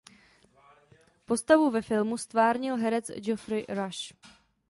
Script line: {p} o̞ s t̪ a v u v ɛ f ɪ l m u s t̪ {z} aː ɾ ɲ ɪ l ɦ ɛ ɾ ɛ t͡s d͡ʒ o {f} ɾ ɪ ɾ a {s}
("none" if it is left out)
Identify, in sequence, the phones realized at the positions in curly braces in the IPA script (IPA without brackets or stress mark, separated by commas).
p, v, f, ʃ